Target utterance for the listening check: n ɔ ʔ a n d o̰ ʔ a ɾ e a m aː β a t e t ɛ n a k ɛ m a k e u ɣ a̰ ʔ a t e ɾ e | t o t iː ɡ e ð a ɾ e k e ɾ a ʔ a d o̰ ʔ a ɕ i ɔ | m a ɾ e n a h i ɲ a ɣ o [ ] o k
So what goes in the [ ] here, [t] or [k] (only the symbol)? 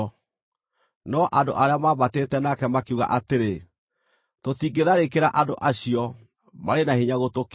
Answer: t